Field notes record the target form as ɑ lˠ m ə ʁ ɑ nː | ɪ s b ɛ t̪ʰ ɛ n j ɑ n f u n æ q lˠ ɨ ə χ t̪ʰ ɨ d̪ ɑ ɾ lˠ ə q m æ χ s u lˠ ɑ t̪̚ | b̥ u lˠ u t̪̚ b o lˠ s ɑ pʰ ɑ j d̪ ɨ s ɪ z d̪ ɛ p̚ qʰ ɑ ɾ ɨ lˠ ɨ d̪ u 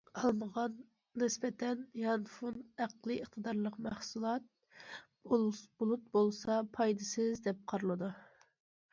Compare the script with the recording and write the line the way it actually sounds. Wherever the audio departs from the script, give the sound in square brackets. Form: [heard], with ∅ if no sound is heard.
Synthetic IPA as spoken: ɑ lˠ m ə ʁ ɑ nː | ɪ s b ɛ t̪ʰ ɛ n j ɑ n f u n æ q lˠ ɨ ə χ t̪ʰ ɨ d̪ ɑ ɾ lˠ ə q m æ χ s u lˠ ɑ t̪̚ | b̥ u lˠ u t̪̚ b o lˠ s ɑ pʰ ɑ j d̪ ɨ s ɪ z d̪ ɛ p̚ qʰ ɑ ɾ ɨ lˠ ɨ d̪ u